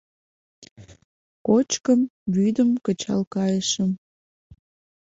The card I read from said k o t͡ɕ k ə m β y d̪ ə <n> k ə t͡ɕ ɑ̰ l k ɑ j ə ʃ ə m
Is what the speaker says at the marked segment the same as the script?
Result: no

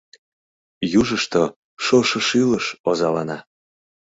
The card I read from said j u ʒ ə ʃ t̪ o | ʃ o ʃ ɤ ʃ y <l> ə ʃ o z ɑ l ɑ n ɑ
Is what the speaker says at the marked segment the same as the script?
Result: yes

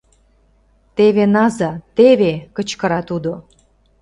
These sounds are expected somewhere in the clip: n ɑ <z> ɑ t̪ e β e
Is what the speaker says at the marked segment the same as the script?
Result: yes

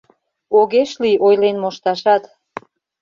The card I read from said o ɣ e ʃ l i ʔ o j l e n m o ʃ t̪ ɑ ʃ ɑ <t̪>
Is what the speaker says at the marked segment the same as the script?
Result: yes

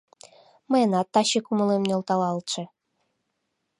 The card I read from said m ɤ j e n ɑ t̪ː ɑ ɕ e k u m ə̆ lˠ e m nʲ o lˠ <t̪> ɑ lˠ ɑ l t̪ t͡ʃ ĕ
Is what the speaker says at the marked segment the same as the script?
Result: yes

